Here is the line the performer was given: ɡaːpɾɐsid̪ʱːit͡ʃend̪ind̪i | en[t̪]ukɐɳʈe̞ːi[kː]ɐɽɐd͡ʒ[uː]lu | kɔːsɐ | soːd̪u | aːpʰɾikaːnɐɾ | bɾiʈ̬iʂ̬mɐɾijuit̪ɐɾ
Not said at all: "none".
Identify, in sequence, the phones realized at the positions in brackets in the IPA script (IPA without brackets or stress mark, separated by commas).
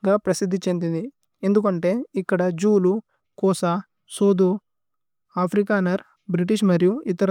d̪, kː, uː